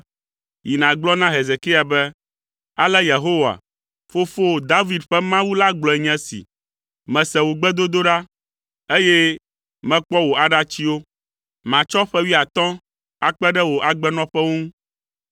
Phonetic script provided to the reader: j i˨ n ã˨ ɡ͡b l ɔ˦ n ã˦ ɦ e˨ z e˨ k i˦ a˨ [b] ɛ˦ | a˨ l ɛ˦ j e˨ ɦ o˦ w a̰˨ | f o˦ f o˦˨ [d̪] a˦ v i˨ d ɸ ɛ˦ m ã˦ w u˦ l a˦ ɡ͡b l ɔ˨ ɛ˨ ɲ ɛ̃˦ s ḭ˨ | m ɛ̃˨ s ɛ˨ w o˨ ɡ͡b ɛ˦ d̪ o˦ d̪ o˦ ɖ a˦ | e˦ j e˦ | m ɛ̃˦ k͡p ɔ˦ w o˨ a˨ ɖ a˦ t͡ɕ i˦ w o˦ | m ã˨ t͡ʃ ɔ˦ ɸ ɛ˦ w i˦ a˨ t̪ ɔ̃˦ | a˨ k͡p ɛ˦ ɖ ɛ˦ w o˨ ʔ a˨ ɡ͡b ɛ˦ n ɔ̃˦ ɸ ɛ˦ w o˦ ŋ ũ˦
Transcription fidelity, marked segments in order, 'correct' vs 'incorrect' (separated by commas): correct, correct